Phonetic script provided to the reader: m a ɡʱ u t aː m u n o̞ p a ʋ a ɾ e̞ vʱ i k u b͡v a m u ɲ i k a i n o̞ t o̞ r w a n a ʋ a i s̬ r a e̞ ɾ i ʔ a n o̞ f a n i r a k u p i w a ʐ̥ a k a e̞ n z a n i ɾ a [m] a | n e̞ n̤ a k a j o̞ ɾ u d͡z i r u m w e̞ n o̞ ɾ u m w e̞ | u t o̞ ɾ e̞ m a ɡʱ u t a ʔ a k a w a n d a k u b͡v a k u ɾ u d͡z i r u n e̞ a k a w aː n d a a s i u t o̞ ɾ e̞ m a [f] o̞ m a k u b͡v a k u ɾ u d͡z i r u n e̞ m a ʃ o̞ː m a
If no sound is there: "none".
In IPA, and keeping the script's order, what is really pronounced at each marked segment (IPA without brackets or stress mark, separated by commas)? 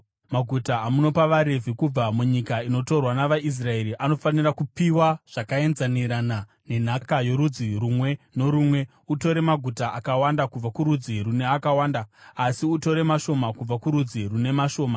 n, ʃ